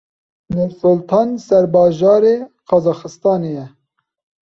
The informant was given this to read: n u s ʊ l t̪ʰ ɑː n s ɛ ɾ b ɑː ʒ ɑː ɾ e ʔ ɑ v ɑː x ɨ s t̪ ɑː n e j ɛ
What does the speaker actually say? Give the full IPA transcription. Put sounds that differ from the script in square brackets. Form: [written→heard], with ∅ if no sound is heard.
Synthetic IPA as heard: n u s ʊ l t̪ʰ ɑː n s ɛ ɾ b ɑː ʒ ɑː ɾ e [ʔ→q] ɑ [v→z] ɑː x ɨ s t̪ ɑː n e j ɛ